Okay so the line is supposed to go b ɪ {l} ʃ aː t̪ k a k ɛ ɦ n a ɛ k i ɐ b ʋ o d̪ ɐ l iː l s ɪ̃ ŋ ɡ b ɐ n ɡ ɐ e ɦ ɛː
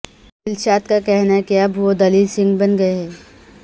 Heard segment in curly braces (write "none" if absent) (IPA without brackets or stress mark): l